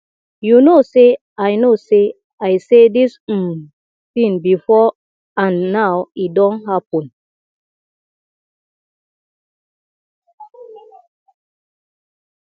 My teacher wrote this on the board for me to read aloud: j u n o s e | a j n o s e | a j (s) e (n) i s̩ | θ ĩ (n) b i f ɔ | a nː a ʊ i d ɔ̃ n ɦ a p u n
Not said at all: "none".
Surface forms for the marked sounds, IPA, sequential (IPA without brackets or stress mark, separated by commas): s, d, n